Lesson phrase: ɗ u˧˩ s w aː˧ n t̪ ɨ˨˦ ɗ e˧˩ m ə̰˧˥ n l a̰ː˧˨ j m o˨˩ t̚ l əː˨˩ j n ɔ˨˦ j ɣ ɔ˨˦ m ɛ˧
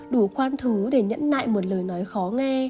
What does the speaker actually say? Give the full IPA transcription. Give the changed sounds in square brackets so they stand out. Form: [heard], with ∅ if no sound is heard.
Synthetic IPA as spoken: ɗ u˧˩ [x] w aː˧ n [t̪ʰ] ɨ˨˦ ɗ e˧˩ [ɲ] ə̰˧˥ n l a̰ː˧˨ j m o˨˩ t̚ l əː˨˩ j n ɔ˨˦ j [x] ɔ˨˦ [ŋ] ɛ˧

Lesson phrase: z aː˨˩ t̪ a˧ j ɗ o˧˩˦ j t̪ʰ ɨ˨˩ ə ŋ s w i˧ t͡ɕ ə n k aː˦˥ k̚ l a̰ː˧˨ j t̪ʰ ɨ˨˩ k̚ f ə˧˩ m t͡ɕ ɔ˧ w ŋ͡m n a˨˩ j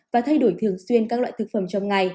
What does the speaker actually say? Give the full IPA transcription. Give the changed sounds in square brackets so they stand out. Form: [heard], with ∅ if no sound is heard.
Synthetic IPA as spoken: [v] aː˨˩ [t̪ʰ] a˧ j ɗ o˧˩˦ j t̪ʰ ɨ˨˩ ə ŋ s w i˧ [∅] ə n k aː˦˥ k̚ l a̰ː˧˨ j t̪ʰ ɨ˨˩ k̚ f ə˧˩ m t͡ɕ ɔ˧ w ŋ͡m [ŋ] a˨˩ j

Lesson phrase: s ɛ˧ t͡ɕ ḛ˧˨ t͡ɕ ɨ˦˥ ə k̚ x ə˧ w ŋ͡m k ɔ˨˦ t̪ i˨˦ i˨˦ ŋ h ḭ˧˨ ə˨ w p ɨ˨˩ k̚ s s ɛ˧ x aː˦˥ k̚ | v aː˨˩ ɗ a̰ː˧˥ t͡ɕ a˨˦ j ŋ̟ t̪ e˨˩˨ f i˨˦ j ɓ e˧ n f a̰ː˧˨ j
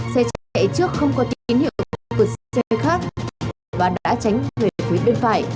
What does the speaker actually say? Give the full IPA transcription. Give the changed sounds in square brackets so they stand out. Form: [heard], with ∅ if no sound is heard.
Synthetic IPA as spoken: s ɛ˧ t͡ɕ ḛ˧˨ t͡ɕ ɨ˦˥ ə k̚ x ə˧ w ŋ͡m k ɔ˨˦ t̪ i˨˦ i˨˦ [n] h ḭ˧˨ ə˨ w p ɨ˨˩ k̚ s s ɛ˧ x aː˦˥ k̚ | v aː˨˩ ɗ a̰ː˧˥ t͡ɕ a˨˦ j ŋ̟ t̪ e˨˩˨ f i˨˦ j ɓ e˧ n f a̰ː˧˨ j

